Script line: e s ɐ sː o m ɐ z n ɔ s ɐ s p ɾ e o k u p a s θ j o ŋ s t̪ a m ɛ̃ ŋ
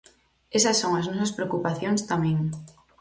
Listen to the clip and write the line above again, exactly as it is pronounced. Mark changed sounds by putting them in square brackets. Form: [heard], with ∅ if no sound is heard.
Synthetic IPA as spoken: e s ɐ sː o [ŋ] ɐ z n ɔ s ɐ s p ɾ e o k u p a [∅] θ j o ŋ s t̪ a m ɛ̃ ŋ